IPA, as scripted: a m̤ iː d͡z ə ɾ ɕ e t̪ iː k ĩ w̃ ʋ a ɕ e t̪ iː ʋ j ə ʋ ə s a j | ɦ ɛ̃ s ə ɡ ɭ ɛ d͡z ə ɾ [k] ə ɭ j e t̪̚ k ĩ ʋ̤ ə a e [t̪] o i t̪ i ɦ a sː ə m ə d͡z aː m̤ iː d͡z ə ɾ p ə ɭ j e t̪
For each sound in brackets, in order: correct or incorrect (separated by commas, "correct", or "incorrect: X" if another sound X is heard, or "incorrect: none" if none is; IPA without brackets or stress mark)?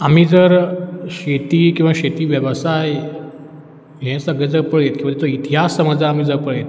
incorrect: p, correct